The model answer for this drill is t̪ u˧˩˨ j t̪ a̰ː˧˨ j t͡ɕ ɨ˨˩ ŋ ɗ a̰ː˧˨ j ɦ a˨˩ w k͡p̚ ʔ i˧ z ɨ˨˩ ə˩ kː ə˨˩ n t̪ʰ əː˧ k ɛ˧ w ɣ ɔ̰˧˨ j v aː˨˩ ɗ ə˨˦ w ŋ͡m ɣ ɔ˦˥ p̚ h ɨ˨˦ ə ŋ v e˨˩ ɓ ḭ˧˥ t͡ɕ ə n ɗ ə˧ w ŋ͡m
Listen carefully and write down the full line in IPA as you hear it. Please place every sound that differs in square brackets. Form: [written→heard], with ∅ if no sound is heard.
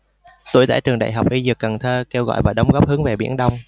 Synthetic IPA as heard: t̪ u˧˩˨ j t̪ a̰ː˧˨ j t͡ɕ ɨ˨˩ ŋ ɗ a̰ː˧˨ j ɦ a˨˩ w k͡p̚ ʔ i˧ z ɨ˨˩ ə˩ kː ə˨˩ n t̪ʰ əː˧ k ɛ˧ w ɣ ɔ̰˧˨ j v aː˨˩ ɗ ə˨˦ w ŋ͡m ɣ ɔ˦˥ p̚ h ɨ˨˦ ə ŋ v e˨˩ ɓ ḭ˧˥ [t͡ɕ→∅] ə n ɗ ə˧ w ŋ͡m

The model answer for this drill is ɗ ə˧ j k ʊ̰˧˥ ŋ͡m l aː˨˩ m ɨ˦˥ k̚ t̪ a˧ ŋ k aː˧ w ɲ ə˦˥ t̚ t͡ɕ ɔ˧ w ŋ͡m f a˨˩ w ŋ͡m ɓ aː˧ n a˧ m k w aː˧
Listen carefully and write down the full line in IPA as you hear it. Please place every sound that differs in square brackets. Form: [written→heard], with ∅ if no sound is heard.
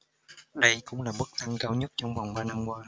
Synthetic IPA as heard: ɗ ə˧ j k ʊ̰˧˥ ŋ͡m l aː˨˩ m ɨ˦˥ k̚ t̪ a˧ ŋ k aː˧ w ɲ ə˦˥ t̚ t͡ɕ ɔ˧ w ŋ͡m [f→v] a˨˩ w ŋ͡m ɓ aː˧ n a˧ m k w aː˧

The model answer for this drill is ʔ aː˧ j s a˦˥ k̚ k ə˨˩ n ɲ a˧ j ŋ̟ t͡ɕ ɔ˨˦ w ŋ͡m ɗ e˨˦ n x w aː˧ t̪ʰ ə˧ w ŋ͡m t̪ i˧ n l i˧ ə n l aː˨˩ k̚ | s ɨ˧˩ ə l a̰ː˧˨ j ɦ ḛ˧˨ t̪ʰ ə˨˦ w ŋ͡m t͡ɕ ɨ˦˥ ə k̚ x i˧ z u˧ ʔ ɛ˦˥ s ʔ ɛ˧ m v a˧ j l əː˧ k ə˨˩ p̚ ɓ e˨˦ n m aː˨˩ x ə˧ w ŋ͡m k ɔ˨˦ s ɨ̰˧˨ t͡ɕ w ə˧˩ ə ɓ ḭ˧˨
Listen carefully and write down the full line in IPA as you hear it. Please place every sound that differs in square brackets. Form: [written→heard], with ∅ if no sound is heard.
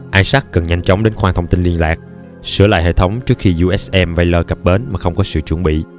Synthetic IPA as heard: ʔ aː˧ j s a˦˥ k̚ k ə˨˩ n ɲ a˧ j ŋ̟ t͡ɕ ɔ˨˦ w ŋ͡m ɗ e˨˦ n x w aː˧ t̪ʰ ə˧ w ŋ͡m t̪ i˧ n l i˧ ə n l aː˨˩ k̚ | s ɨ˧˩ ə l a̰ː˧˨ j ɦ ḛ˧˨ t̪ʰ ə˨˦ w ŋ͡m t͡ɕ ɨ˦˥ ə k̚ x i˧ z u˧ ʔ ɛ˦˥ s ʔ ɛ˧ m v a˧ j l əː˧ k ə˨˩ p̚ ɓ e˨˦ n m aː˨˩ x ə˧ w ŋ͡m k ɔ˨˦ s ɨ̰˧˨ t͡ɕ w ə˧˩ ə ɓ ḭ˧˨

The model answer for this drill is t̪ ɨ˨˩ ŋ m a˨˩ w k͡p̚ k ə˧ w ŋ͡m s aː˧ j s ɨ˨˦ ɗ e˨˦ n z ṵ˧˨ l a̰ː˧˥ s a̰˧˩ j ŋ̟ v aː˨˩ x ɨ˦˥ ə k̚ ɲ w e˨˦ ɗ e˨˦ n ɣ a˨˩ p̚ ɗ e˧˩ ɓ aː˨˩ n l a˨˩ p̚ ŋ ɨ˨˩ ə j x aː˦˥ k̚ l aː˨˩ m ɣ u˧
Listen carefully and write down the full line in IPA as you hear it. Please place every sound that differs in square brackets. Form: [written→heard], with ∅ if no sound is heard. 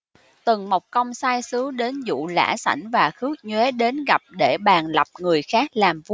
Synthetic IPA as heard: t̪ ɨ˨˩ ŋ m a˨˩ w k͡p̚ k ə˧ w ŋ͡m s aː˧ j s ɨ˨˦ ɗ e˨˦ n z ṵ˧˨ l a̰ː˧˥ s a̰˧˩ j ŋ̟ v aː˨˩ x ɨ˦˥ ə k̚ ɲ w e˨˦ ɗ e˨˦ n ɣ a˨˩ p̚ ɗ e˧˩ ɓ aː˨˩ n l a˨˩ p̚ ŋ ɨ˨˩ ə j x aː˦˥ k̚ l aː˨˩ m [ɣ→v] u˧

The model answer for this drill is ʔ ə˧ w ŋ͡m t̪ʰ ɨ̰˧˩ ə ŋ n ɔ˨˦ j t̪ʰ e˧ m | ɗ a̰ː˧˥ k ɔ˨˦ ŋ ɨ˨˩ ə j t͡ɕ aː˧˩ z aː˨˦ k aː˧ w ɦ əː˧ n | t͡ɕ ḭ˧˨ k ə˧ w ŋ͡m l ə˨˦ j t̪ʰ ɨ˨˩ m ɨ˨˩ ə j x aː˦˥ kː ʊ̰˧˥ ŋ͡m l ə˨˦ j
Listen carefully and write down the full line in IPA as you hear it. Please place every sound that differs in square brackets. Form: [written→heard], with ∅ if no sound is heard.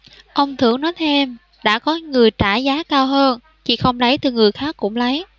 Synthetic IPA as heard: ʔ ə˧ w ŋ͡m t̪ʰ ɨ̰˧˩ ə ŋ n ɔ˨˦ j t̪ʰ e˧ m | ɗ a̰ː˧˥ k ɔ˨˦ ŋ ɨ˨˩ ə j t͡ɕ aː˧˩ z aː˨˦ k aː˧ w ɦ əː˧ n | t͡ɕ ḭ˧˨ [k→x] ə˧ w ŋ͡m l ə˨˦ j [t̪ʰ→t̪] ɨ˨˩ [m→ŋ] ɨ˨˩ ə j x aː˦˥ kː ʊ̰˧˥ ŋ͡m l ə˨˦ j

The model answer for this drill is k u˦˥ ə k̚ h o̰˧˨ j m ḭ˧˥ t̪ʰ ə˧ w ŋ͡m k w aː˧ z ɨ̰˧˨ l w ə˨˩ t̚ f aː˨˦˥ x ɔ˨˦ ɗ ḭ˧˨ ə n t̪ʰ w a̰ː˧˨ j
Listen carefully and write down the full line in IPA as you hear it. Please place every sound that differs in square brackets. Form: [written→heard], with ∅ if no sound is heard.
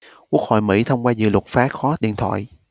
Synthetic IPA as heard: k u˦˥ ə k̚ h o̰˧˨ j m ḭ˧˥ t̪ʰ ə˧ w ŋ͡m k w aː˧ z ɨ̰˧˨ l w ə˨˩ t̚ f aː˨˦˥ x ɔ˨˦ ɗ ḭ˧˨ ə n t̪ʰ w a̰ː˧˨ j

